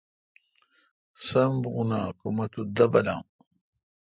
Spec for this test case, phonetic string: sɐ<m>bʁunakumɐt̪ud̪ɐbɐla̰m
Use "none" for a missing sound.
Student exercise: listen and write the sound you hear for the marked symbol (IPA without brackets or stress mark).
m